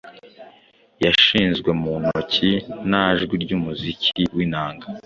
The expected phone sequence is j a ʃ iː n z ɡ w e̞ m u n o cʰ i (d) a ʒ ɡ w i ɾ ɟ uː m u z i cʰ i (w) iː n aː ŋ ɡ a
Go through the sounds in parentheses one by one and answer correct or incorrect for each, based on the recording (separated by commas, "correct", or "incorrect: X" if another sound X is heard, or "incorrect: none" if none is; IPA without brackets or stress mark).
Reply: incorrect: n, correct